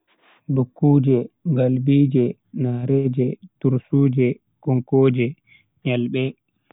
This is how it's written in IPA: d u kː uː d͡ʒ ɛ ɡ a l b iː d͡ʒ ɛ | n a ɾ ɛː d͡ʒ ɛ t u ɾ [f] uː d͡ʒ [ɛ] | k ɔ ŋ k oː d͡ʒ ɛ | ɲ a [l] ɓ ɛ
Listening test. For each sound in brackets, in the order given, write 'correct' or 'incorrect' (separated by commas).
incorrect, correct, correct